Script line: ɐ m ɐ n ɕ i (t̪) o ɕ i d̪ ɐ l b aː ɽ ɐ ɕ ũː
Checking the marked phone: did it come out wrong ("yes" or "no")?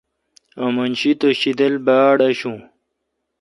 no